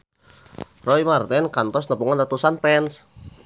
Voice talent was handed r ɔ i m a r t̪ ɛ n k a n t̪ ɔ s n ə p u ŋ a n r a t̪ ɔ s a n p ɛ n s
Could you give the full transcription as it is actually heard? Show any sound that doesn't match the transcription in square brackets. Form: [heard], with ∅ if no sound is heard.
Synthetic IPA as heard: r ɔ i m a r t̪ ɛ n k a n t̪ ɔ s n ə p u ŋ a n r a t̪ [u] s a n p ɛ n s